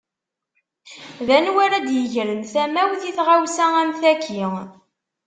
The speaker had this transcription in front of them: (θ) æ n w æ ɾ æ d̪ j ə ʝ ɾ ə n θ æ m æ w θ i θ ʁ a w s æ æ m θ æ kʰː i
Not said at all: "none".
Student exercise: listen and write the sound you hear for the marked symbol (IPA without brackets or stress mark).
ð